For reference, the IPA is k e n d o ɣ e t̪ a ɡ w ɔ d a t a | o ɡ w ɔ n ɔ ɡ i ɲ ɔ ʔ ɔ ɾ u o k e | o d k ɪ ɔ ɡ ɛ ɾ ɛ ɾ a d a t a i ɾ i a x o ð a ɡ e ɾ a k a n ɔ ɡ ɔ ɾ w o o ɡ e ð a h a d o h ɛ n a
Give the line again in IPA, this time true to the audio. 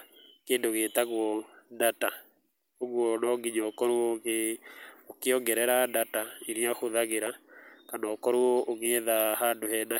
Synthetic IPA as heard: k e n d o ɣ e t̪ a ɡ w ɔ d a t a | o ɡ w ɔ n ɔ ɡ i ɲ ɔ k ɔ ɾ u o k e | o k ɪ ɔ ɡ ɛ ɾ ɛ ɾ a d a t a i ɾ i a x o ð a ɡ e ɾ a k a n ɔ k ɔ ɾ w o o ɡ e ð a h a d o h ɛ n a